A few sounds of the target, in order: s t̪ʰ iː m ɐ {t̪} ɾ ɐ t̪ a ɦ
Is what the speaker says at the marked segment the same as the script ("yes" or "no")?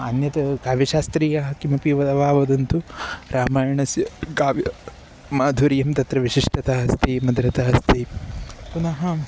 no